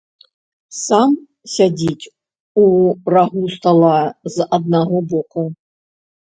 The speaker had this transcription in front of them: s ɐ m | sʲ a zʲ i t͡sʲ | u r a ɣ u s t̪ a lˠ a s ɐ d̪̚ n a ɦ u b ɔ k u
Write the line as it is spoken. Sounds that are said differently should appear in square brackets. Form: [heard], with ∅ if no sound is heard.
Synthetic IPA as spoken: s [a] m | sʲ a [d͡zʲ] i t͡sʲ | u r a ɣ u s t̪ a lˠ a [z] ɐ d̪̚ n a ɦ [ɔ] b ɔ k u

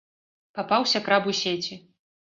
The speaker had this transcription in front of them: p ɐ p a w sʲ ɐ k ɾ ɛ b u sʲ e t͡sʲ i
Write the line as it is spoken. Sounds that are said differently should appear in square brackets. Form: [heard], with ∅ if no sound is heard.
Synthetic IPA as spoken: p [a] p a w sʲ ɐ k ɾ [a] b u sʲ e t͡sʲ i

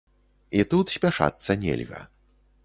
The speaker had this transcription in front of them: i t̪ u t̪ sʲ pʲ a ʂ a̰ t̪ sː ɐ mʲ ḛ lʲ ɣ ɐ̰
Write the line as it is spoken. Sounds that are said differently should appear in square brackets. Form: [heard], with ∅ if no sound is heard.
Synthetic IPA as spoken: i t̪ u t̪ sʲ pʲ a ʂ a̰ t̪ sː ɐ [nʲ] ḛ lʲ ɣ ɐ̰

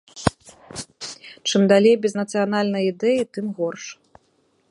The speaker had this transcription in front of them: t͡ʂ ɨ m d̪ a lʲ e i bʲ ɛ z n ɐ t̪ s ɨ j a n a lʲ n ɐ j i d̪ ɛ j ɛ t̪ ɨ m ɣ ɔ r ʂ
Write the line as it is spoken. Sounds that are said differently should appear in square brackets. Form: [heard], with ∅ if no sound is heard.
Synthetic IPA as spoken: t͡ʂ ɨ m d̪ a lʲ e [j] bʲ ɛ z n ɐ t̪ s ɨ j a n a lʲ n ɐ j i d̪ ɛ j [i] t̪ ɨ m ɣ ɔ r ʂ

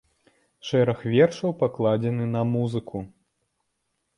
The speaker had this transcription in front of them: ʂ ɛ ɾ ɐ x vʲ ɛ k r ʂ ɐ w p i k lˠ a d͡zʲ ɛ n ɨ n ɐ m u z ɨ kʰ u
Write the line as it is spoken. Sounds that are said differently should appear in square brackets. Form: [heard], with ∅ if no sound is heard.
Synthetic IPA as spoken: ʂ ɛ ɾ ɐ x vʲ ɛ [∅] r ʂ ɐ w p [a] k lˠ a d͡zʲ ɛ n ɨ n ɐ m u z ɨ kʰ u

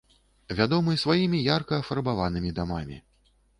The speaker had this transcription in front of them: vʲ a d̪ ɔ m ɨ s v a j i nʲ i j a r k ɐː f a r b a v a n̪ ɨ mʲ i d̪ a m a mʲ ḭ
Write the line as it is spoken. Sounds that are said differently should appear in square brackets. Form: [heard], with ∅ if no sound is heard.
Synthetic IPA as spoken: vʲ a d̪ ɔ m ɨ s v a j i [mʲ] i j a r k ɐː f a r b a v a n̪ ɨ mʲ i d̪ a m a mʲ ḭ

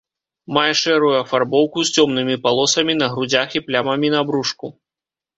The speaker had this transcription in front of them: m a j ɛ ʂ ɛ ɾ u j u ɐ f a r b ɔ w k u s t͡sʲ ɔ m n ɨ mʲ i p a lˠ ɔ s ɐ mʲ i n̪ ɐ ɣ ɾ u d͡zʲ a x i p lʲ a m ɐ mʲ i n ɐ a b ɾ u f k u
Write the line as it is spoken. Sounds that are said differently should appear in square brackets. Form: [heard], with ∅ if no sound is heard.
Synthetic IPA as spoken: m a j ɛ ʂ ɛ ɾ u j u ɐ f a r b ɔ w k u s t͡sʲ ɔ m n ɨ mʲ i p a lˠ ɔ s ɐ mʲ i n̪ ɐ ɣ ɾ u d͡zʲ a x i p lʲ a m ɐ mʲ i n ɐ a b ɾ u [ʂ] k u

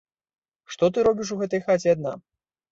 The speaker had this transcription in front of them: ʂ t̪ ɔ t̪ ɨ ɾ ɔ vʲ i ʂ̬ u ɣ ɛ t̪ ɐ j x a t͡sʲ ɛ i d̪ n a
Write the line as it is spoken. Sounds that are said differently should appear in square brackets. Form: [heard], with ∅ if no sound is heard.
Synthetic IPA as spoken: ʂ t̪ ɔ t̪ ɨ ɾ ɔ [bʲ] i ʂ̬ u ɣ ɛ t̪ ɐ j x a t͡sʲ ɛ [a] d̪ n a

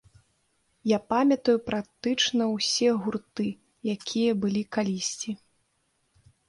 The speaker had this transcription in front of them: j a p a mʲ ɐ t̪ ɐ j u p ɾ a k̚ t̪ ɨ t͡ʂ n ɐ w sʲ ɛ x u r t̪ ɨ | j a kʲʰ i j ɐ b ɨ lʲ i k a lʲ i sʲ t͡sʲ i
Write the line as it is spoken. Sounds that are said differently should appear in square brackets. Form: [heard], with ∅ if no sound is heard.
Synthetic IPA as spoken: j a p a mʲ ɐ t̪ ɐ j u p ɾ a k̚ t̪ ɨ t͡ʂ n ɐ w sʲ ɛ [ɣ] u r t̪ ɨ | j a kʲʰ i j ɐ b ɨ lʲ i k a lʲ i sʲ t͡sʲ i

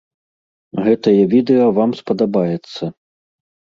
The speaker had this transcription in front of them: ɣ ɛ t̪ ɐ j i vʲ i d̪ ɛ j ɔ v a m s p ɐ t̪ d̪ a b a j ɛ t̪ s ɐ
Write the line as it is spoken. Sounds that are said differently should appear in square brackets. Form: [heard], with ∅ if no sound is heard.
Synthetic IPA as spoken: ɣ ɛ t̪ ɐ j [ɛ] vʲ i d̪ ɛ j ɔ v a m s p ɐ [∅] d̪ a b a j ɛ t̪ [sː] ɐ

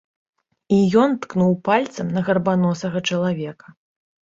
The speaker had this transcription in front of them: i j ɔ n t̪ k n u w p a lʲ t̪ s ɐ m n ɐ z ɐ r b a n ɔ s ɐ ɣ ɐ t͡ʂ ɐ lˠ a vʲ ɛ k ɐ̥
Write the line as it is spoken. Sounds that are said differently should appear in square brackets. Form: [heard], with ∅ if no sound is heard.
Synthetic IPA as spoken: i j ɔ n t̪ k n u w p a lʲ t̪ s ɐ m n ɐ [ɣ] ɐ r b a n ɔ s ɐ ɣ ɐ t͡ʂ ɐ lˠ a vʲ ɛ k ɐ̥

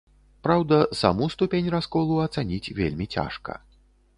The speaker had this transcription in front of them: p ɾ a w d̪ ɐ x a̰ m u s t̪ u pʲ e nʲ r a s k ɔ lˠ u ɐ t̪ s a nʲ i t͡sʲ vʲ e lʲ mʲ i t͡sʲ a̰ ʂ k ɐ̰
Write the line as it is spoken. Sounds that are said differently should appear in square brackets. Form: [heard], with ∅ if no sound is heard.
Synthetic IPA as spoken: p ɾ a w d̪ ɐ [s] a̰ m u s t̪ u pʲ e nʲ r a s k ɔ lˠ u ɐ t̪ s a nʲ i t͡sʲ vʲ e lʲ mʲ i t͡sʲ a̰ ʂ k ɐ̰

